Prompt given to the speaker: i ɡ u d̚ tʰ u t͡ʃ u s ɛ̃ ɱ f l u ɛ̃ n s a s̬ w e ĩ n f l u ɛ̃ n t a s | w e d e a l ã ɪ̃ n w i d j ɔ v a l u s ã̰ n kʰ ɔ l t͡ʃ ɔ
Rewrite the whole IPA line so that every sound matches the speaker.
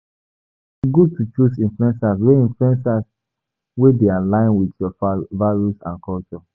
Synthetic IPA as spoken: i ɡ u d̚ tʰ u t͡ʃ u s ĩ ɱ f l u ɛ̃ n s a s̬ w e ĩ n f l u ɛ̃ n s a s | w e d e a l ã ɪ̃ n w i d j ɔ v a ɹ u s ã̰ n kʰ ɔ l t͡ʃ ɔ